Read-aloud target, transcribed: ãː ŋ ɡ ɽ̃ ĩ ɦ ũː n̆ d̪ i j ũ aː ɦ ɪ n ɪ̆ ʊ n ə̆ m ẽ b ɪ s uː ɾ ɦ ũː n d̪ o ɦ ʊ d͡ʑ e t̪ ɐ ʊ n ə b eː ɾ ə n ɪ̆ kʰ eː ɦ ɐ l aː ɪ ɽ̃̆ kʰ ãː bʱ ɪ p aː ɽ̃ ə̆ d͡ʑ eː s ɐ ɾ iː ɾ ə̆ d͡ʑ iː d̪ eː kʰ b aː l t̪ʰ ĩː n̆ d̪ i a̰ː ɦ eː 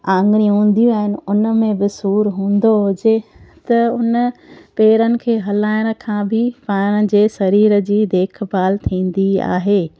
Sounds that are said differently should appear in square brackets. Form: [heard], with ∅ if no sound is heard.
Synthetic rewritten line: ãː ŋ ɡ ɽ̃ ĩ ɦ ũː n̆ d̪ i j ũ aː ɦ ɪ n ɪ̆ ʊ n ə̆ m ẽ b ɪ s uː ɾ ɦ ũː n d̪ o ɦ ʊ d͡ʑ e t̪ ɐ ʊ n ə [p] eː ɾ ə n ɪ̆ kʰ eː ɦ ɐ l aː ɪ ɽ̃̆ kʰ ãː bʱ ɪ p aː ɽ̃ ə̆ d͡ʑ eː s ɐ ɾ iː ɾ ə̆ d͡ʑ iː d̪ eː kʰ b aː l t̪ʰ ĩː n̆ d̪ i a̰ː ɦ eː

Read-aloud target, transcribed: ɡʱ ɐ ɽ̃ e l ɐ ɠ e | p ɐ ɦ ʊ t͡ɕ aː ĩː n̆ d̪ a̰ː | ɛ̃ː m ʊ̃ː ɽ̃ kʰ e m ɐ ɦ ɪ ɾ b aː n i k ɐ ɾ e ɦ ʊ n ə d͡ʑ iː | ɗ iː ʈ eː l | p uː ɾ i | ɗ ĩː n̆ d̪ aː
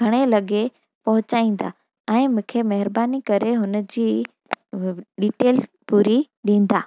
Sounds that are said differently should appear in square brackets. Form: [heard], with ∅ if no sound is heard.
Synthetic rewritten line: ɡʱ ɐ ɽ̃ e l ɐ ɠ e | p ɐ ɦ ʊ t͡ɕ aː ĩː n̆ d̪ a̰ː | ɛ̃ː m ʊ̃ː [∅] kʰ e m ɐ ɦ ɪ ɾ b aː n i k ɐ ɾ e ɦ ʊ n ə d͡ʑ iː | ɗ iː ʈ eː l | p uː ɾ i | ɗ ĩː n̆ d̪ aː

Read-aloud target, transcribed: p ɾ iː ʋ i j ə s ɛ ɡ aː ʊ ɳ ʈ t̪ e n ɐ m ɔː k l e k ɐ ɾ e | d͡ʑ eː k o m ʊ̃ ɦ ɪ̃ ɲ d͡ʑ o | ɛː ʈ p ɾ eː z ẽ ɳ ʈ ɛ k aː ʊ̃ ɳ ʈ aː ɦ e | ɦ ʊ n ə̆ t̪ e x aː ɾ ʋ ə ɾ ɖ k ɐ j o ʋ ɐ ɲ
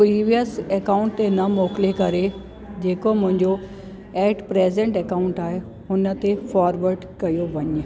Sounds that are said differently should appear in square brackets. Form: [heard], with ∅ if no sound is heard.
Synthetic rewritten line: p ɾ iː ʋ i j ə s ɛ [k] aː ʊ ɳ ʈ t̪ e n ɐ m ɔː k l e k ɐ ɾ e | d͡ʑ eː k o m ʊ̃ ɦ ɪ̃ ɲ d͡ʑ o | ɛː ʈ p ɾ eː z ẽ ɳ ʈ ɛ k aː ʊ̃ ɳ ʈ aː ɦ e | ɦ ʊ n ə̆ t̪ e [f] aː ɾ ʋ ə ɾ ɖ k ɐ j o ʋ ɐ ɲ

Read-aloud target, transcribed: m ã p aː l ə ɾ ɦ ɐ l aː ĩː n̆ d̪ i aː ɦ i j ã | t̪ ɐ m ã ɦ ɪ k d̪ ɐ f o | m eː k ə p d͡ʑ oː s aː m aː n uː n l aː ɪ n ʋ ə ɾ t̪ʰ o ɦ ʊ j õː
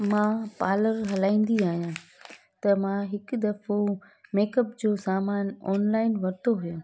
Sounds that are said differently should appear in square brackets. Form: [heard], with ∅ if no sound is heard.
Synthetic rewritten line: m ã p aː l ə ɾ ɦ ɐ l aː ĩː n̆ d̪ i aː ɦ i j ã | t̪ ɐ m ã ɦ ɪ k d̪ ɐ f o | m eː k ə p d͡ʑ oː s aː m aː n [ɔː] n l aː ɪ n ʋ [ɐ] ɾ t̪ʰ o ɦ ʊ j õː

